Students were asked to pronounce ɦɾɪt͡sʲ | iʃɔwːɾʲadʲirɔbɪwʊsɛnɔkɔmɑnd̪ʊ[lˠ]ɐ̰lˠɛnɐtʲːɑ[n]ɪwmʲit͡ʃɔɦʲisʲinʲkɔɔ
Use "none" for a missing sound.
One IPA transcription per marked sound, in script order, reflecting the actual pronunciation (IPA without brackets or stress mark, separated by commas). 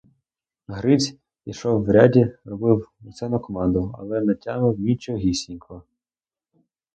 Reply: none, m